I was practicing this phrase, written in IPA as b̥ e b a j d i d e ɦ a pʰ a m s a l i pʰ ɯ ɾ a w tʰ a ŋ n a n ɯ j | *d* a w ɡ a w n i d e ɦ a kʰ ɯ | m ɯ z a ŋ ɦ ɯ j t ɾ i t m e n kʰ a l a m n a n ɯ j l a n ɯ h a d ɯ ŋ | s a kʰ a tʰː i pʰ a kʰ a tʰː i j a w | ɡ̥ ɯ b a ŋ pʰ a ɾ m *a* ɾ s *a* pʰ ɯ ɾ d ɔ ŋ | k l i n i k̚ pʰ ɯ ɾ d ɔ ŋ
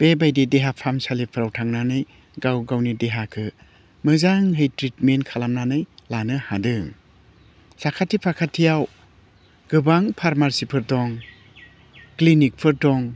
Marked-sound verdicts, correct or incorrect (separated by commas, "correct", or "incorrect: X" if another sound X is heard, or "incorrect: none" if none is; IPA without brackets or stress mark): incorrect: ɡ, correct, incorrect: i